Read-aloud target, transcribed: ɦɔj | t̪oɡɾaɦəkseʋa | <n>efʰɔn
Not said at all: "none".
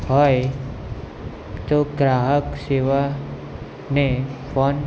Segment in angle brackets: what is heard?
n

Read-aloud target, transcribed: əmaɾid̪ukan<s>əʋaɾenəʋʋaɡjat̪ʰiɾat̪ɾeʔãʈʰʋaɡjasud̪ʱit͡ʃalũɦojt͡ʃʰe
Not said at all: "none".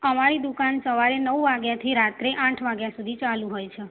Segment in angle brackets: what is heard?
s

